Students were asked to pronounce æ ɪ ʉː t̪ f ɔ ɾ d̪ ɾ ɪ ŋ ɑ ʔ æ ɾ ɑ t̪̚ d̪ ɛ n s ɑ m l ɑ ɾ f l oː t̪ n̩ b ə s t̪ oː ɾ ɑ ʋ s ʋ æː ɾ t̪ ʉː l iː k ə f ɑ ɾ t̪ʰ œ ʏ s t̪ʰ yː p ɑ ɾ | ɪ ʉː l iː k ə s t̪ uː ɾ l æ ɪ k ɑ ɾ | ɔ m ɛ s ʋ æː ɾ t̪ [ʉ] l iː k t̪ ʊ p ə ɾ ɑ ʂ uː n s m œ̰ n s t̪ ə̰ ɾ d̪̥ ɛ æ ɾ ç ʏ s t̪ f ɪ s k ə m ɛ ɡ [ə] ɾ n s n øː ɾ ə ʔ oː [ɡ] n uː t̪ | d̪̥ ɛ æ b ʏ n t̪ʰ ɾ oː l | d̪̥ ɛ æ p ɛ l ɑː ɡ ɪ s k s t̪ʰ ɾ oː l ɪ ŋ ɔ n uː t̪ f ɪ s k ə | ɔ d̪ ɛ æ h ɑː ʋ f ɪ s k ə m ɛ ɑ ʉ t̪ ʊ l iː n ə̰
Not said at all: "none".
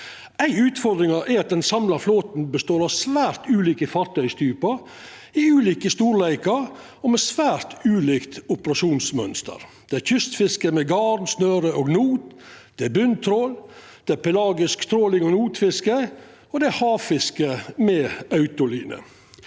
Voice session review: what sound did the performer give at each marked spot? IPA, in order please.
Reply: ʉː, ɑ, ɡ

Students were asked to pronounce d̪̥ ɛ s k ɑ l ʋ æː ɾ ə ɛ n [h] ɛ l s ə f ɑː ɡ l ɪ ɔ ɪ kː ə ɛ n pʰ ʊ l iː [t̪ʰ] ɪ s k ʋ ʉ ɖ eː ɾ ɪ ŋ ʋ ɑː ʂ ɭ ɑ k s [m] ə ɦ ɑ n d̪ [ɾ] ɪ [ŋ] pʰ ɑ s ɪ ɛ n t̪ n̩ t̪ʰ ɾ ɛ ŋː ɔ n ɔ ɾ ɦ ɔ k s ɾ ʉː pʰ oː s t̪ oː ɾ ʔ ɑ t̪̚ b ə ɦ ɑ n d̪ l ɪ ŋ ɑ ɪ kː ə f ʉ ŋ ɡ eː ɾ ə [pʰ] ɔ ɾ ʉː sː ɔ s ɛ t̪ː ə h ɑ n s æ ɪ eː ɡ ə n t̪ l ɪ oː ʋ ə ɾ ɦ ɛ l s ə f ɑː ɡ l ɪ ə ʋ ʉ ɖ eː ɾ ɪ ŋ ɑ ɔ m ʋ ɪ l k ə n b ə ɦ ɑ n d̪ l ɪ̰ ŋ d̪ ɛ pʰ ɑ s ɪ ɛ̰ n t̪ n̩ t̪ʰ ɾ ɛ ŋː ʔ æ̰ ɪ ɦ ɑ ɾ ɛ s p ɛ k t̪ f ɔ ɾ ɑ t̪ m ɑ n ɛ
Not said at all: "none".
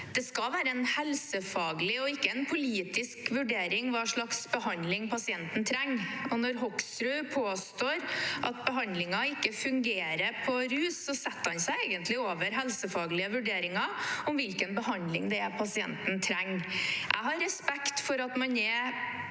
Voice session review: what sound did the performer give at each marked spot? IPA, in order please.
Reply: h, t̪, b, l, ŋ, pʰ

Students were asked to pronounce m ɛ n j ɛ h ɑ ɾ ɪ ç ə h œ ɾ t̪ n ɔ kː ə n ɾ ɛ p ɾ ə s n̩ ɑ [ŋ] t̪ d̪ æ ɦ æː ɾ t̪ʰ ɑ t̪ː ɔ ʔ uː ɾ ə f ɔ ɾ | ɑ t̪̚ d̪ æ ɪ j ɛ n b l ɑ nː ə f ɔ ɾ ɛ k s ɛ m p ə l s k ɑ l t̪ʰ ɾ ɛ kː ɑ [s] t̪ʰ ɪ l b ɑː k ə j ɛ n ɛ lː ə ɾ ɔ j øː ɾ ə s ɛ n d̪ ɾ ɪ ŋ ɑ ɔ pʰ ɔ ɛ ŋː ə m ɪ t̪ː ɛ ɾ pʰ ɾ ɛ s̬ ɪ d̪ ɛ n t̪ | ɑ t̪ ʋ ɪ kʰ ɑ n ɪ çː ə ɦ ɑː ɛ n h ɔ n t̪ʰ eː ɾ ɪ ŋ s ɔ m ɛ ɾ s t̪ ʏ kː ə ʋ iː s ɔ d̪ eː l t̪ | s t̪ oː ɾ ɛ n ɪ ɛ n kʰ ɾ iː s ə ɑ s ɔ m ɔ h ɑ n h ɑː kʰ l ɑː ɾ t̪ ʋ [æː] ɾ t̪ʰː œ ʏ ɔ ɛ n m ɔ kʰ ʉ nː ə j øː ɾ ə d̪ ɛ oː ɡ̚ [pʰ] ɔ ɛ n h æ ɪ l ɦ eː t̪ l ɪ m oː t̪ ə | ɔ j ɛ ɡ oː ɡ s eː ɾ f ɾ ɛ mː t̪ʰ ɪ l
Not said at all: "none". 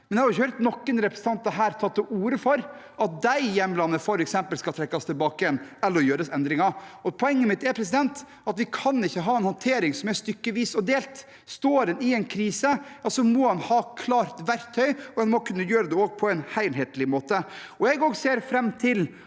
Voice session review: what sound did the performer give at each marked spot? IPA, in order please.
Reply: n, s, æ, pʰ

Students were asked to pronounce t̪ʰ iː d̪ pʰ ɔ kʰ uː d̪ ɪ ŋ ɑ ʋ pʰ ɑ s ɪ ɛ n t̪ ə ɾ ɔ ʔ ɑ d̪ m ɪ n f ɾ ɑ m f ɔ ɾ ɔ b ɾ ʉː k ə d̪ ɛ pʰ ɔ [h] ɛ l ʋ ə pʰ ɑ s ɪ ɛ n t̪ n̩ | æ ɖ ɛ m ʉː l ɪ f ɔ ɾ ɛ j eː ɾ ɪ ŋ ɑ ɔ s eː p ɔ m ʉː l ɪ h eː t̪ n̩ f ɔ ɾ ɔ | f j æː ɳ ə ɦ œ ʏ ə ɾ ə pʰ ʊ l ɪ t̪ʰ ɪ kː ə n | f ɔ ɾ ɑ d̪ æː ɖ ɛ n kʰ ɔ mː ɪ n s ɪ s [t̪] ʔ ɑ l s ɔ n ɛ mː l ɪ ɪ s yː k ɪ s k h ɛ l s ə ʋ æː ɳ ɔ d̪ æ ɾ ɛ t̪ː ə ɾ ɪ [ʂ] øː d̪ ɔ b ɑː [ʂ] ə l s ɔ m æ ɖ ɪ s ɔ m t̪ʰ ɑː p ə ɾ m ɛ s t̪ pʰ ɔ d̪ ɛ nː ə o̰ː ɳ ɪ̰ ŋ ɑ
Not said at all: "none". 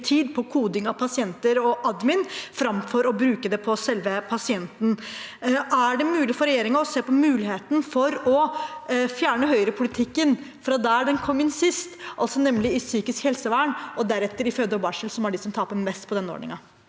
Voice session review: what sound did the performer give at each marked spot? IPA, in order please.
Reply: s, t̪, f, ʂ

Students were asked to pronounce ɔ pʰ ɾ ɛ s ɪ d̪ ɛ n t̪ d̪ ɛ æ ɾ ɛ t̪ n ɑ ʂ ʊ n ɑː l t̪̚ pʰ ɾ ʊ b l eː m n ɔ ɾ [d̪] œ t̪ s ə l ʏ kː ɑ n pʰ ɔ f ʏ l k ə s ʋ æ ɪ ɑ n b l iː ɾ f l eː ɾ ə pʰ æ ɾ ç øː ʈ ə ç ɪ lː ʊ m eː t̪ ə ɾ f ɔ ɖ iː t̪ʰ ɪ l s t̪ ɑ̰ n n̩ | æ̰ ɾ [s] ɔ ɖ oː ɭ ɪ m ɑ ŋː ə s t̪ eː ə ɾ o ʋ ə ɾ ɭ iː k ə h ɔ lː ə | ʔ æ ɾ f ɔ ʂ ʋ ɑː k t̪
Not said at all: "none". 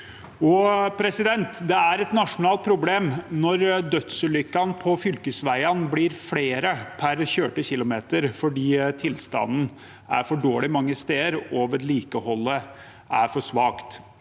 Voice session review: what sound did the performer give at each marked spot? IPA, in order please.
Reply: d̪, f

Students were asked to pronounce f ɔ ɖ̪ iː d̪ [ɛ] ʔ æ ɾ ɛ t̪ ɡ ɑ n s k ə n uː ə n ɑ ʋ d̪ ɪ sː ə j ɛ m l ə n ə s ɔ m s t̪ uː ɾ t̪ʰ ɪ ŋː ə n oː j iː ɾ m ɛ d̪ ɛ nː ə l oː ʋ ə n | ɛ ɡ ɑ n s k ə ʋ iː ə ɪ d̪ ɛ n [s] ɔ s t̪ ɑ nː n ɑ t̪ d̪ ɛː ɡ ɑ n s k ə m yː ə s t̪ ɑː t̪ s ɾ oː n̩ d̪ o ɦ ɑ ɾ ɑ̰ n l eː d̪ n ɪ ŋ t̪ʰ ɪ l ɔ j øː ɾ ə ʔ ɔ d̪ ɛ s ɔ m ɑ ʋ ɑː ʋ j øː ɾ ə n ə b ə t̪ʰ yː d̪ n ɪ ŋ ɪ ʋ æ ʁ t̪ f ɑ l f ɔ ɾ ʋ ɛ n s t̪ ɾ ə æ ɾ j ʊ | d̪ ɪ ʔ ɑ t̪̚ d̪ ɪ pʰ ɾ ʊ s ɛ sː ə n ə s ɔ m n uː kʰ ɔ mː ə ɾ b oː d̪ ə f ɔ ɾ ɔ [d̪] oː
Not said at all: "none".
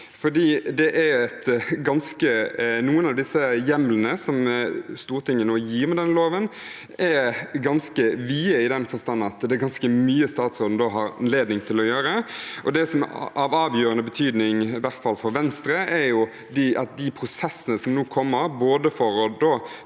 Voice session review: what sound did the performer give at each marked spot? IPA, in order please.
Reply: ɛ, f, d̪

